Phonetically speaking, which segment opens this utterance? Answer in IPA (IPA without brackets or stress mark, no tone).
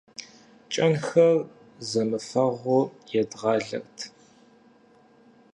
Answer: t͡ʃʼ